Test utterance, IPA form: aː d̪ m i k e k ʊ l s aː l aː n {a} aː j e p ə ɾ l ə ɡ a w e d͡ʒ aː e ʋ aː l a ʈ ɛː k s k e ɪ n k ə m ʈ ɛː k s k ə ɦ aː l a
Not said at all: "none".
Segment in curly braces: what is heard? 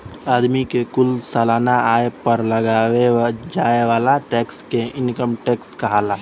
a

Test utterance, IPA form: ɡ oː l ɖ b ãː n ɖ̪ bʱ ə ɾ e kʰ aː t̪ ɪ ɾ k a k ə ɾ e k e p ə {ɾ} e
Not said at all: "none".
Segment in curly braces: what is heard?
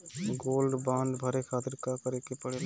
ɽ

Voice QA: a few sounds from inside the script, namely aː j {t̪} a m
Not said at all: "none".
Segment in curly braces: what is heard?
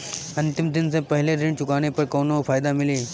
d̪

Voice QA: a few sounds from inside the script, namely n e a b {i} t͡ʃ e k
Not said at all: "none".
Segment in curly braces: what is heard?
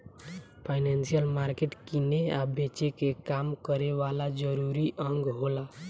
e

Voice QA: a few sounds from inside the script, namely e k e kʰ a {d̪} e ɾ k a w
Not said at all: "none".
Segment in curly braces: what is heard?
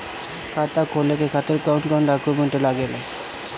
t̪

